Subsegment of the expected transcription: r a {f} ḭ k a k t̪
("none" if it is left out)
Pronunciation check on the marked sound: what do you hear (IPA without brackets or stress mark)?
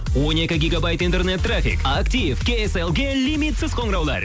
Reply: f